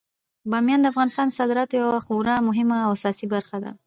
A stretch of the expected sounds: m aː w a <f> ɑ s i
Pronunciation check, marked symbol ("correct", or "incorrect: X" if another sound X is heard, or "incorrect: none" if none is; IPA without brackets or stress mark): incorrect: s